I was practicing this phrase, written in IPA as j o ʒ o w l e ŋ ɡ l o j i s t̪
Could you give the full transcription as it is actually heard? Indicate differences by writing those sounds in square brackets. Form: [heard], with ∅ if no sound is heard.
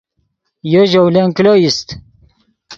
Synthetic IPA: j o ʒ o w l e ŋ [k] l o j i s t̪

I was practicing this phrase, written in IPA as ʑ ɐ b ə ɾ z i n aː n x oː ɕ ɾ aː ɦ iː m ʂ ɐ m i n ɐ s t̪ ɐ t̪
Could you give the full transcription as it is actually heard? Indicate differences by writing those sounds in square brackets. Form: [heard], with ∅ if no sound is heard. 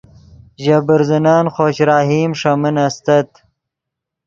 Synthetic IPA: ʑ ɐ b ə ɾ z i n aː n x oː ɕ ɾ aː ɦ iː m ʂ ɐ m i n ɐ s t̪ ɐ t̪

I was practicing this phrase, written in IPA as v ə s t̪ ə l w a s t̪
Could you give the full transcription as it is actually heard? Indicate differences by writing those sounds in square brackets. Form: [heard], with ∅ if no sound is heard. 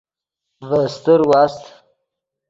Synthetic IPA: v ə s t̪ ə [ɾ] w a s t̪

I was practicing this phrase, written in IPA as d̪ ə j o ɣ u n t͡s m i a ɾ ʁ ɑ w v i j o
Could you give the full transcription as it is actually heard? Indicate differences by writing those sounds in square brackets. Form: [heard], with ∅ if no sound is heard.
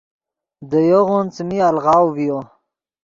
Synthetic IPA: d̪ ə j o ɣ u n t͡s m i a [l] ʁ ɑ w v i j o

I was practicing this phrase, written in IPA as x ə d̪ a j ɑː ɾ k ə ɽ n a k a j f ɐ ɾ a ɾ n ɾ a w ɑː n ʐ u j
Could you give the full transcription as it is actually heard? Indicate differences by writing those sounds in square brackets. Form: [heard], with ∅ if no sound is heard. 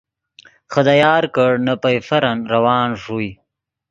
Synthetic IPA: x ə d̪ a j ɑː ɾ k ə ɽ n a [p] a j f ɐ ɾ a [∅] n ɾ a w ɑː n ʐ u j

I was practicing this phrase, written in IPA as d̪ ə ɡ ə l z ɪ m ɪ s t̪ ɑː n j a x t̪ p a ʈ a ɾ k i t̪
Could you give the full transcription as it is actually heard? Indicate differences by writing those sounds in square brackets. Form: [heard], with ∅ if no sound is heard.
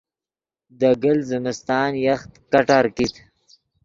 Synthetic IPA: d̪ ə ɡ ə l z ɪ m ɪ s t̪ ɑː n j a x t̪ [k] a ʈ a ɾ k i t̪

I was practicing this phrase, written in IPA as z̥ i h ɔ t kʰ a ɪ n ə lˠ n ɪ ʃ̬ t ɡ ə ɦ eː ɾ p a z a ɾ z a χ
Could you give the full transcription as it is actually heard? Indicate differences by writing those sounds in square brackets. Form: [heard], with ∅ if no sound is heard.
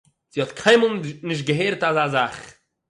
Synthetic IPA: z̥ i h ɔ t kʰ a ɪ [m] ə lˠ n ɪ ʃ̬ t ɡ ə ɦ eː ɾ [t] a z a [∅] z a χ

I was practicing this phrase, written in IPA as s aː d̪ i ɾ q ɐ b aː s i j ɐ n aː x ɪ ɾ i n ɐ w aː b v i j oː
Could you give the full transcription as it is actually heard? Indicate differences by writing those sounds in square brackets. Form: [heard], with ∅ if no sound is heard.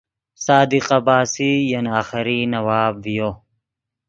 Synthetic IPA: s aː d̪ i [∅] q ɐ b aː s i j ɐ n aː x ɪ ɾ i n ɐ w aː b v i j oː

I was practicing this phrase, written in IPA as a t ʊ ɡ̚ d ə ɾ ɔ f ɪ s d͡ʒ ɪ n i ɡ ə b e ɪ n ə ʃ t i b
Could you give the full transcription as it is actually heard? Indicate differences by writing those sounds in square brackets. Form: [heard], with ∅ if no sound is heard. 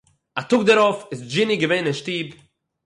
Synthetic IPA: a t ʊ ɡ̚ d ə ɾ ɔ f ɪ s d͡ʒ ɪ n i ɡ ə [v] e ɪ n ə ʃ t [iː] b

